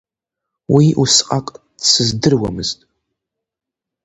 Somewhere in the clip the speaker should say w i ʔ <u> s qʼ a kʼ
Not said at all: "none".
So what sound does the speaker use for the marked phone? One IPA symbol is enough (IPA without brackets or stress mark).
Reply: u